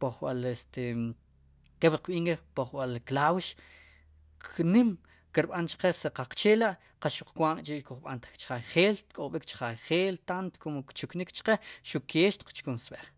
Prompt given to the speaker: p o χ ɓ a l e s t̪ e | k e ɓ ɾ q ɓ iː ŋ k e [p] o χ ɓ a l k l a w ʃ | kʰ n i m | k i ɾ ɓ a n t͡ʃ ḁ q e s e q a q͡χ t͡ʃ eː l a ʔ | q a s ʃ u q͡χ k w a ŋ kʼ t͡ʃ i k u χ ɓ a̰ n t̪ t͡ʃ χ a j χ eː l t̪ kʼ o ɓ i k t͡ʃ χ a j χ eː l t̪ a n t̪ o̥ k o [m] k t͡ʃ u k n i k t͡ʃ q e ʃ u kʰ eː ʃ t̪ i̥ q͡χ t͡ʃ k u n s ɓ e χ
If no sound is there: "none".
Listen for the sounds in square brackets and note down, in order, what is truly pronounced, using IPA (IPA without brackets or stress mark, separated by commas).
p, m